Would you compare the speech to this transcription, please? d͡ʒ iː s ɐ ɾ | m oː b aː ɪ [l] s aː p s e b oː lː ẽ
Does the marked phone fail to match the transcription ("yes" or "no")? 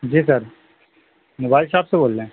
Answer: no